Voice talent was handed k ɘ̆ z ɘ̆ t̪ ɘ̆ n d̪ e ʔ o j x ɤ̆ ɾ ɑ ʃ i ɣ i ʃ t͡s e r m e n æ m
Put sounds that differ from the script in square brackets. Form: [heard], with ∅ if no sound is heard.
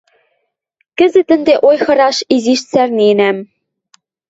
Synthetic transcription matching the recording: k ɘ̆ z ɘ̆ t̪ ɘ̆ n d̪ e ʔ o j x ɤ̆ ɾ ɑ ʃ i [z] i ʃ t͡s [æ] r [n] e n æ m